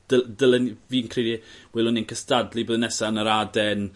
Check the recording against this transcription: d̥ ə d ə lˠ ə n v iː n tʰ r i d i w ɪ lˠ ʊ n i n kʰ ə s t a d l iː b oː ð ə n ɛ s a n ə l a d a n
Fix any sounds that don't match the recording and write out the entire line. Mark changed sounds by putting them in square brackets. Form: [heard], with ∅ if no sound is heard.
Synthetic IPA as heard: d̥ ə d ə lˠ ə n v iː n [kʰ] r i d i w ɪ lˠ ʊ n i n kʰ ə s t a d l [i] b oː ð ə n ɛ s a n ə [ɾ] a d [ɛ] n